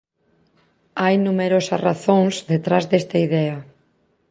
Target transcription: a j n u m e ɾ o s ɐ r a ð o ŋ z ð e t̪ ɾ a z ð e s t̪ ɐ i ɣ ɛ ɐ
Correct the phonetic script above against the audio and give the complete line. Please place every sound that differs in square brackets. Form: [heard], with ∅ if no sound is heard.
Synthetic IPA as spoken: a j n u m e ɾ o s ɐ r a [θ] o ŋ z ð e t̪ ɾ a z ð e s t̪ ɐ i [ð] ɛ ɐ